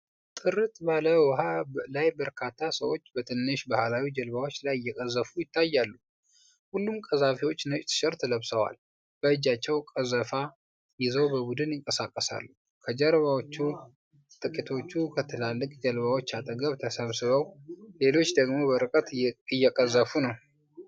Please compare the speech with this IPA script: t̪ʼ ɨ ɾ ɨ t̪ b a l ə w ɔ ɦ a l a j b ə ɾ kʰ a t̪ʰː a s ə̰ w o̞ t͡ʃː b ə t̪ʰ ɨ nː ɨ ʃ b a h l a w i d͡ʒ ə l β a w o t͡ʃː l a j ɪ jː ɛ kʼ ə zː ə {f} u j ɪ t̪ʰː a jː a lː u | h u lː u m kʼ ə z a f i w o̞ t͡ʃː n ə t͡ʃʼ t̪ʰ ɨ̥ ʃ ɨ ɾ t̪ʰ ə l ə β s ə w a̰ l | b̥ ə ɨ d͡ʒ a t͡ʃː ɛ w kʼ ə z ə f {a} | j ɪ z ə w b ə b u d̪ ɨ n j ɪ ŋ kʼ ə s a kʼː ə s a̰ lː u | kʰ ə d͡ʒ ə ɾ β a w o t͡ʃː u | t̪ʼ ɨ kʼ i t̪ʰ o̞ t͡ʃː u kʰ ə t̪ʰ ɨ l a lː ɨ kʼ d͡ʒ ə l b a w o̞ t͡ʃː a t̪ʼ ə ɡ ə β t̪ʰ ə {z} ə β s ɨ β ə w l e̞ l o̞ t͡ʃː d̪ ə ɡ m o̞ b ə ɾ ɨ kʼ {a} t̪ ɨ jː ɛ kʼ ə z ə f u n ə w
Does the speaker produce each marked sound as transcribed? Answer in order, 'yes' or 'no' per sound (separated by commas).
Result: yes, yes, no, no